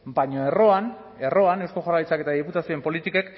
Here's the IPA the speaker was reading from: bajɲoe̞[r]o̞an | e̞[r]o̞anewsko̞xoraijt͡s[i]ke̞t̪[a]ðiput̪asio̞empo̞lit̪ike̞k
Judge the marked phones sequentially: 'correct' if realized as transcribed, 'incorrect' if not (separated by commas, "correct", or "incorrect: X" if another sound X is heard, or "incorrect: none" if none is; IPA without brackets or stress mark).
correct, correct, incorrect: a, correct